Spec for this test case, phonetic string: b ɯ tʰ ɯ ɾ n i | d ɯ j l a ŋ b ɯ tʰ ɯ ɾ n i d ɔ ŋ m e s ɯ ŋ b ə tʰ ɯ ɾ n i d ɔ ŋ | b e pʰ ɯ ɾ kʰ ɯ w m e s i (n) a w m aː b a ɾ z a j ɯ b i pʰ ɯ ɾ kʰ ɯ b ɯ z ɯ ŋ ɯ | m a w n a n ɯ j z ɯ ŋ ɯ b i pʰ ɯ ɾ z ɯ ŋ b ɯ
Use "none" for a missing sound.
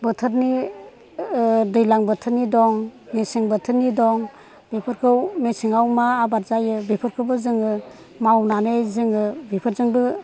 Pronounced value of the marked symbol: ŋ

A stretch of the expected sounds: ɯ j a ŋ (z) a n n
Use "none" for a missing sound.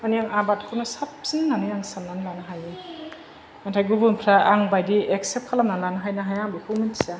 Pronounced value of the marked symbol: s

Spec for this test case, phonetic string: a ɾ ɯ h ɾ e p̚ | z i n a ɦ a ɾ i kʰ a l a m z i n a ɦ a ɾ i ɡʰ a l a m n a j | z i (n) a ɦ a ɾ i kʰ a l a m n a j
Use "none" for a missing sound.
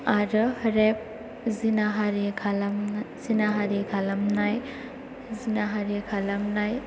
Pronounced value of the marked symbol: n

